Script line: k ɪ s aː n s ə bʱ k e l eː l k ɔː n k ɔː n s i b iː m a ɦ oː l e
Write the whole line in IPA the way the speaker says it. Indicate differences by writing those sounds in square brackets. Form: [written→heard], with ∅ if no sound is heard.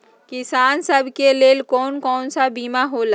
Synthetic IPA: k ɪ s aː n s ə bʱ k e l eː l k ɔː n k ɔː n s [i→a] b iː m a ɦ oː l [e→a]